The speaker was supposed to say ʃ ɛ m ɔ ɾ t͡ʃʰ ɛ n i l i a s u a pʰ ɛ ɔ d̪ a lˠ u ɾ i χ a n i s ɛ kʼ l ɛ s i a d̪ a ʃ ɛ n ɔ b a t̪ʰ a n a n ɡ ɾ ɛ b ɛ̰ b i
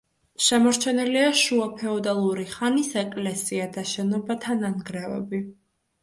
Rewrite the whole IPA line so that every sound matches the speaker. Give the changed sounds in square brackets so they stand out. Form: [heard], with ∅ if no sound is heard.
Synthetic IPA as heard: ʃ ɛ m ɔ ɾ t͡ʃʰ ɛ n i l i a [ʃ] u a pʰ ɛ ɔ d̪ a lˠ u ɾ i χ a n i s ɛ kʼ l ɛ s i a d̪ a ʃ ɛ n ɔ b a t̪ʰ a n a n ɡ ɾ ɛ [v] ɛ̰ b i